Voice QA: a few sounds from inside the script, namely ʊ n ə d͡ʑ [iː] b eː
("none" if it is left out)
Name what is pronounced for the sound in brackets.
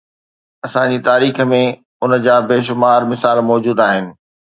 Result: aː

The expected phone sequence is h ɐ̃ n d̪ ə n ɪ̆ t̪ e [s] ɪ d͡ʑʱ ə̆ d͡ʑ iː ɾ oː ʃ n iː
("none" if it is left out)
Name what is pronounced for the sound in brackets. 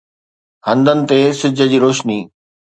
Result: s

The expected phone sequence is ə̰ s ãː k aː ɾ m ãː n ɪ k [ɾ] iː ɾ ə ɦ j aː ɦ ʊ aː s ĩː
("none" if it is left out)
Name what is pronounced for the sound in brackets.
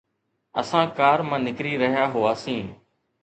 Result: ɾ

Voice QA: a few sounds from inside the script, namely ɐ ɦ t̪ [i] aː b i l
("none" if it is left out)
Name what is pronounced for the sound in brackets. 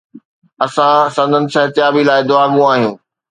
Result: j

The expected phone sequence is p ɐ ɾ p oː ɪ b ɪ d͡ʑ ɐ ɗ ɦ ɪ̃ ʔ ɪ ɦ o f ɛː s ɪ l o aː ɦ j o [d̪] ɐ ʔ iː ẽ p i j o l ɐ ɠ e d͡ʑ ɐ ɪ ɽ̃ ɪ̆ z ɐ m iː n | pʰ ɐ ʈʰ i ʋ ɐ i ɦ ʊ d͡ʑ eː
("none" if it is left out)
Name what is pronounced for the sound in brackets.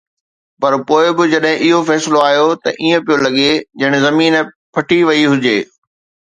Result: t̪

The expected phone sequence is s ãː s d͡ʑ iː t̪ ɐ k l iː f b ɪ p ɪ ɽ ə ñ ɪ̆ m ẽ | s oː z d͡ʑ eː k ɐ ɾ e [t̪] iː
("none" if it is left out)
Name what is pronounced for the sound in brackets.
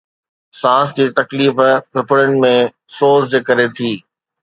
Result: t̪ʰ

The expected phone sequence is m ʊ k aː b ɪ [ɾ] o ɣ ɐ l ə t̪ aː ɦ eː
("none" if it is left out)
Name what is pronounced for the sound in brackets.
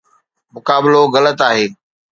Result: l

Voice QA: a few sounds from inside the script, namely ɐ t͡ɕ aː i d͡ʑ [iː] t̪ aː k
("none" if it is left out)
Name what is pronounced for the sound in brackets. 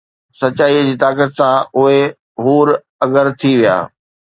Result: iː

